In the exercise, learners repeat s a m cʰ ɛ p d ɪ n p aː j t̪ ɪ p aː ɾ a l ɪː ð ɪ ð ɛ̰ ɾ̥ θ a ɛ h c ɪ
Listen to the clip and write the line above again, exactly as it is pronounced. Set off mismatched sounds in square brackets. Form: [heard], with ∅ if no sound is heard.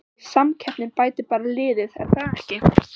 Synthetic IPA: s a m cʰ ɛ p [n] ɪ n p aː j t̪ ɪ p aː ɾ a l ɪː ð ɪ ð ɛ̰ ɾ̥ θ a ɛ h c ɪ